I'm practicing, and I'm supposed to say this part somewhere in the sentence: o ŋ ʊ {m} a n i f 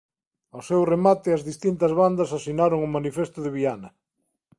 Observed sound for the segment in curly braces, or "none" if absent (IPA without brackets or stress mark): m